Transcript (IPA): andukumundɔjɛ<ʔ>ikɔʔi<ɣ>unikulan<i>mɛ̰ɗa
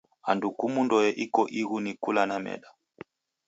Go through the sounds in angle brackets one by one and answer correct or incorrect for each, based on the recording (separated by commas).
correct, correct, incorrect